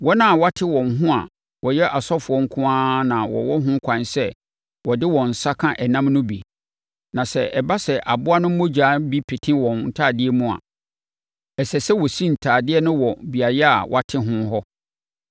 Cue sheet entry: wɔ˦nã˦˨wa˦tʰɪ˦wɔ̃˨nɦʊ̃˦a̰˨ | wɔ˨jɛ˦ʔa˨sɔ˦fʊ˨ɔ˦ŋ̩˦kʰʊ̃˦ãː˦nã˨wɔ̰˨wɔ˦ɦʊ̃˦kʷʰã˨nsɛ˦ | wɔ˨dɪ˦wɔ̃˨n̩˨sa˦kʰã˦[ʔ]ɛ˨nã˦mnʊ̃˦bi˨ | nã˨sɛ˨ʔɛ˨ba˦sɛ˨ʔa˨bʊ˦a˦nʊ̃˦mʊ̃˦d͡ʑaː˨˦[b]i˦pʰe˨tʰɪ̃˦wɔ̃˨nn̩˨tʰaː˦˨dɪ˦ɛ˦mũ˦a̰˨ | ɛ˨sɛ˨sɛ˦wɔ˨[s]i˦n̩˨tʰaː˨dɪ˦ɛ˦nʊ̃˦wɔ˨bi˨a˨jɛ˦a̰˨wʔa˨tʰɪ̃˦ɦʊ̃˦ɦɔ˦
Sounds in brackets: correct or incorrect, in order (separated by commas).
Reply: correct, correct, correct